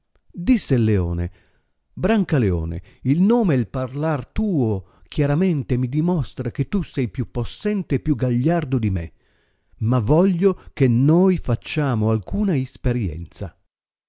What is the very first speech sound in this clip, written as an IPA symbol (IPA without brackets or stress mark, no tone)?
d̪